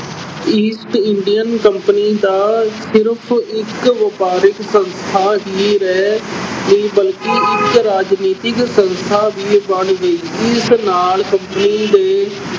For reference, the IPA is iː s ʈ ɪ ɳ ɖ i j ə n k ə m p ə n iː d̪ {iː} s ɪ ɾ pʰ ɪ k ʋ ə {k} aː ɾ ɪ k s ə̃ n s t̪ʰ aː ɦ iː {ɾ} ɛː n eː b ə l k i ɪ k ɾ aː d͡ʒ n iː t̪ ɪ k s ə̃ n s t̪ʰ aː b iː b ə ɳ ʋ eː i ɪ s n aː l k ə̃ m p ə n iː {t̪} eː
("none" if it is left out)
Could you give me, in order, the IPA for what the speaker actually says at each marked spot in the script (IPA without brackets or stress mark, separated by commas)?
aː, p, ɾ, d̪